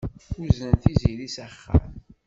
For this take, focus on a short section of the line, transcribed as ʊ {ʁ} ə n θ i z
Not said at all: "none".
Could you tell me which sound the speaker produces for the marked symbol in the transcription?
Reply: z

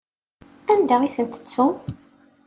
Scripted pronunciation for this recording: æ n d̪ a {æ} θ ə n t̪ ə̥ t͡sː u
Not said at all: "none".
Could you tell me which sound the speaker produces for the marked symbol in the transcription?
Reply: i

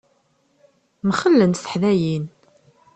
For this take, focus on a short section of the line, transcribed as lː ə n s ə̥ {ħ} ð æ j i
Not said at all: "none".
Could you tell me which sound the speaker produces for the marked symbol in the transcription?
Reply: ħ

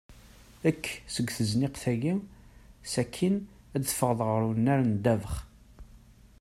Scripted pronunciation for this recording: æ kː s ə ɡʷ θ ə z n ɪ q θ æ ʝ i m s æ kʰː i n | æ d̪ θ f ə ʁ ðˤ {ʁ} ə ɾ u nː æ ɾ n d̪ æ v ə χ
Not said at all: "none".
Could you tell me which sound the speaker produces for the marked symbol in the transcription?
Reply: ʁ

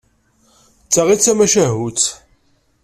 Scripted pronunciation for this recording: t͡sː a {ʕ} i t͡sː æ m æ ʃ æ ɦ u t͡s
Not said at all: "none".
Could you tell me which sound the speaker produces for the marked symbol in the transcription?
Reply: ʁ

